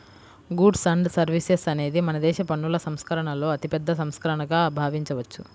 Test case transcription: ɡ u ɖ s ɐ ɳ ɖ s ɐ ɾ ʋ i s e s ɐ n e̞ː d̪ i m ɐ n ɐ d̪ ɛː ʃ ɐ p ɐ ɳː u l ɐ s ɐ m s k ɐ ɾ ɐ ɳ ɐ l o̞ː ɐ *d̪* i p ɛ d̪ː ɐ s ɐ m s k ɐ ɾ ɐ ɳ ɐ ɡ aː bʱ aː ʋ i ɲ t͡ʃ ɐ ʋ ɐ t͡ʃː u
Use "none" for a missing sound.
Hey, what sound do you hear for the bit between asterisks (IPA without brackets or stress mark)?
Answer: t̪